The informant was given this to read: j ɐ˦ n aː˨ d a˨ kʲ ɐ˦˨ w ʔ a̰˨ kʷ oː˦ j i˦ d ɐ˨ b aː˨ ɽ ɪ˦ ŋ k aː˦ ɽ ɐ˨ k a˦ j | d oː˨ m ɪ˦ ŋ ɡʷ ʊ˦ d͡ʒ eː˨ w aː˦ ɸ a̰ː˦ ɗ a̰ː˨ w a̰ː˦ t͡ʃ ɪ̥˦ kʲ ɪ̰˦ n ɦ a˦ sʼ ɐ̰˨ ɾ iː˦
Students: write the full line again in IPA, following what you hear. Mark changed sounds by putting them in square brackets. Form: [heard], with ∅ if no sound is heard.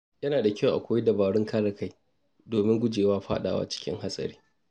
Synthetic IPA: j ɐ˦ n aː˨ d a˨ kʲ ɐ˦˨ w ʔ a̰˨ kʷ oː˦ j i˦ d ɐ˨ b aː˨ ɽ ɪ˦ ŋ k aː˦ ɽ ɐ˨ k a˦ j | d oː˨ m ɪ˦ ŋ ɡʷ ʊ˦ d͡ʒ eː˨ w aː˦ ɸ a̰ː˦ ɗ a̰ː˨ w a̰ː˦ t͡ʃ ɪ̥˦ kʲ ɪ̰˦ [ŋ] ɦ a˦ sʼ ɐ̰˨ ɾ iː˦